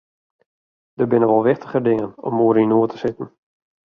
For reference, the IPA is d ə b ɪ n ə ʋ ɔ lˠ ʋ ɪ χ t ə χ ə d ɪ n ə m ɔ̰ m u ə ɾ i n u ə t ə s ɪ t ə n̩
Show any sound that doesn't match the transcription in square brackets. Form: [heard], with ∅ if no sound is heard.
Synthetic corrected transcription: d ə b ɪ n ə ʋ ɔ lˠ ʋ ɪ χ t ə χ ə d ɪ [ŋ] ə [n] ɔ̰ m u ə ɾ i n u ə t ə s ɪ t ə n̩